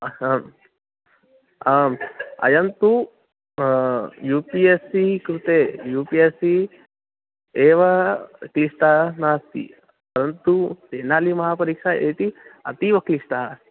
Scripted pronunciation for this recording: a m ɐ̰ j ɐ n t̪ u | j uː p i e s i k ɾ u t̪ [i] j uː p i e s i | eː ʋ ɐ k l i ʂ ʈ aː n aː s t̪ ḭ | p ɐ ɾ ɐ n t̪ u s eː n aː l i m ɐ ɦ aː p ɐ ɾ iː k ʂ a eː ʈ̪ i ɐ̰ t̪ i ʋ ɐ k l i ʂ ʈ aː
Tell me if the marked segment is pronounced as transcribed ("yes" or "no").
no